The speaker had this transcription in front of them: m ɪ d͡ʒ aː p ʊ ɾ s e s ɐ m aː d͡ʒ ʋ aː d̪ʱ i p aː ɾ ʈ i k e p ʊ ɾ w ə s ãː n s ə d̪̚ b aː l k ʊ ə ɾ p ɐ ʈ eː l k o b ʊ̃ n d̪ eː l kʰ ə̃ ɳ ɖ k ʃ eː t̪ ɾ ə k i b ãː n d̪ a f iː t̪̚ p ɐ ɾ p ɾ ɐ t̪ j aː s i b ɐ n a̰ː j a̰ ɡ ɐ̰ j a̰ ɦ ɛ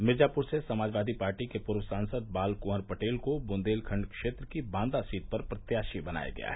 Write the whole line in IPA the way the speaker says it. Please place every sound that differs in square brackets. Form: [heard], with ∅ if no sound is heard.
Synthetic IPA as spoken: m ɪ d͡ʒ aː p ʊ ɾ s e s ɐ m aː d͡ʒ ʋ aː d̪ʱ i p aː ɾ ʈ i k e p ʊ ɾ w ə s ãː n s ə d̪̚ b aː l k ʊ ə ɾ p ɐ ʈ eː l k o b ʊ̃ n d̪ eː l kʰ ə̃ ɳ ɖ k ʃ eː t̪ ɾ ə k i b ãː n d̪ a [s] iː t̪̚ p ɐ ɾ p ɾ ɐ t̪ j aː [ʃ] i b ɐ n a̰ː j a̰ ɡ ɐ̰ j a̰ ɦ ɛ